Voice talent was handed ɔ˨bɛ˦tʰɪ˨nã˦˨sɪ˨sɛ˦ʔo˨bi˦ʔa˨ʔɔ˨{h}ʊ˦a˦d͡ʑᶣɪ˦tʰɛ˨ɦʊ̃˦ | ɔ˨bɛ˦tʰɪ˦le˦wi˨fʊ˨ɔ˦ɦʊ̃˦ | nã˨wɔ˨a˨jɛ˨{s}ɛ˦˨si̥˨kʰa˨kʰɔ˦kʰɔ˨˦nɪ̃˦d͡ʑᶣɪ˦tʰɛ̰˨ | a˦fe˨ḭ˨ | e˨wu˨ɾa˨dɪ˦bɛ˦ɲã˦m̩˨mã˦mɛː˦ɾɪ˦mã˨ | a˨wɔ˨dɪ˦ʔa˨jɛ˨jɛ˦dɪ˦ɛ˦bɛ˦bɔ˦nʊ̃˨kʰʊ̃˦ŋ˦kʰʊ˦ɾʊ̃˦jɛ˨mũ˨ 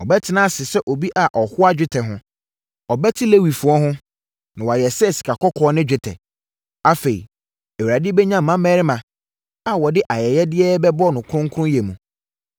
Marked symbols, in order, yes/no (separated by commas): yes, yes